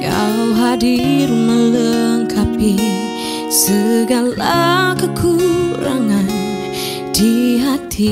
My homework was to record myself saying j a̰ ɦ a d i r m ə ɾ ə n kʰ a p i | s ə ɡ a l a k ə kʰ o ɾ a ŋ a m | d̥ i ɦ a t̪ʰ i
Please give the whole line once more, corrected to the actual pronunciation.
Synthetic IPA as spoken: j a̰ ɦ a d i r m ə l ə ŋ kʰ a p i | s ə ɡ a l a k ə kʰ u ɾ a ŋ a n | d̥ i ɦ a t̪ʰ i